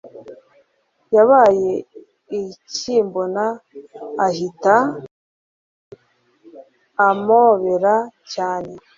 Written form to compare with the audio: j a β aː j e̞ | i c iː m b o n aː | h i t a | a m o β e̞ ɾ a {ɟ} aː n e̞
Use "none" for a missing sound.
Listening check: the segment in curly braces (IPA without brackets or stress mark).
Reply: c